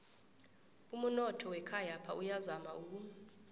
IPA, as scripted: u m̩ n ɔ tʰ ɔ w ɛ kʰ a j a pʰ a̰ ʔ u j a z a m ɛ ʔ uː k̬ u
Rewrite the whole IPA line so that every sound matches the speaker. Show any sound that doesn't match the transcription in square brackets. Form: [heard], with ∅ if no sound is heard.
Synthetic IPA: u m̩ n ɔ tʰ ɔ w ɛ kʰ a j a pʰ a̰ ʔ u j a z a m [a] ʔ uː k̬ u